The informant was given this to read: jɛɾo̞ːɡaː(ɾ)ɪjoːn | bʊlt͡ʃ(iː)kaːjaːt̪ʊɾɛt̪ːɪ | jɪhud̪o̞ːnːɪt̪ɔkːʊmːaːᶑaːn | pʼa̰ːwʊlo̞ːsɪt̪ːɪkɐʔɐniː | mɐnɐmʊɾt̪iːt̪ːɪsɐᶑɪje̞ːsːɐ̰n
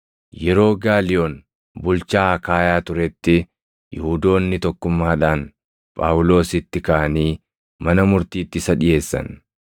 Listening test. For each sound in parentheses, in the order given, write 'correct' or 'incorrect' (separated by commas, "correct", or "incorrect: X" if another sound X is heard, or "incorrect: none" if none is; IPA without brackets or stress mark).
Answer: incorrect: l, incorrect: aː